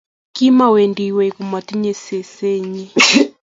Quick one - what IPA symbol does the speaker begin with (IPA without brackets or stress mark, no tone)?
k